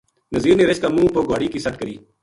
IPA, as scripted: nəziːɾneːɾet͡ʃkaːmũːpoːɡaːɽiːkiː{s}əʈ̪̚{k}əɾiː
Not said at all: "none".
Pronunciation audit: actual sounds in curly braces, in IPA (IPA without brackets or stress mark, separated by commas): s, k